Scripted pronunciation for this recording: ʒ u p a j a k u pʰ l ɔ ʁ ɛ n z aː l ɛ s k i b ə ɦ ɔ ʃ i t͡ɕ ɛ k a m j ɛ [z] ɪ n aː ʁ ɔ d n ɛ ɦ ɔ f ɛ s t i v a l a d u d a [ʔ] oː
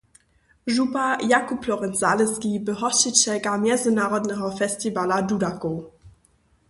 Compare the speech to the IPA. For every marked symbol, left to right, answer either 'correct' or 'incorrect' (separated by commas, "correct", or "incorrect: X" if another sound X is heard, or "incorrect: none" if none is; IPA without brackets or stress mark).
correct, incorrect: k